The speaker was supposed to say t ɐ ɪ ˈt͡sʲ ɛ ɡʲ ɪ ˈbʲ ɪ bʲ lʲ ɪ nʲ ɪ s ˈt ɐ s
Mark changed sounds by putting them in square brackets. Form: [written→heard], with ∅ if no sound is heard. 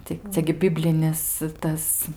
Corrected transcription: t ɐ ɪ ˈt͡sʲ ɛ ɡʲ ɪ ˈbʲ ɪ bʲ lʲ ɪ nʲ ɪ s ˈt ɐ s